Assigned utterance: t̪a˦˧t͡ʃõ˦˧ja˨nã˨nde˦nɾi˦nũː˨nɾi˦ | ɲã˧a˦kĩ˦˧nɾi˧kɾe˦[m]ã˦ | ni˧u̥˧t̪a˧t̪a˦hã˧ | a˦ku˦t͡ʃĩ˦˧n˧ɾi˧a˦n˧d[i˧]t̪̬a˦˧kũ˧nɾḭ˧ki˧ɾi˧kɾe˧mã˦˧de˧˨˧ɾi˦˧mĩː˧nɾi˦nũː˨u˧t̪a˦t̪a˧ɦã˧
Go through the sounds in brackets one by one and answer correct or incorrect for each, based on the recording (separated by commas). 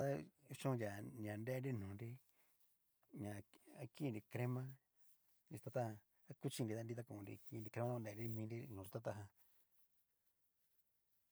correct, correct